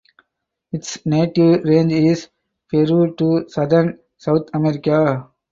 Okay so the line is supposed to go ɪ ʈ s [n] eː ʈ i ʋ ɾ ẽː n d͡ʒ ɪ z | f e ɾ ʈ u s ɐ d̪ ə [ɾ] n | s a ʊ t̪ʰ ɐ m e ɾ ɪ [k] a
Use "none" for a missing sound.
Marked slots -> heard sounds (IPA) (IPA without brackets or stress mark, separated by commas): n, ɾ, k